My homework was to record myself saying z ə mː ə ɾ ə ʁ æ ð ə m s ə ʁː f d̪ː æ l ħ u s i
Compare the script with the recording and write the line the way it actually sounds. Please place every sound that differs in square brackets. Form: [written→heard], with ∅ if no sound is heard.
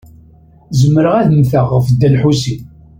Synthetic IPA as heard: z ə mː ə ɾ ə ʁ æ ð ə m [s→θ] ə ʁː f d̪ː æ l ħ u s i